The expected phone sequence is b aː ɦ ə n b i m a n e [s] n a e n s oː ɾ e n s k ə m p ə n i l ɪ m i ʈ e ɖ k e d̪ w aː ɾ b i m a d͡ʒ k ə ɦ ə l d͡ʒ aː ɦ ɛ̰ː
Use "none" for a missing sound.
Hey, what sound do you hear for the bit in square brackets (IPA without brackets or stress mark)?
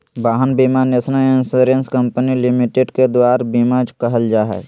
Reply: s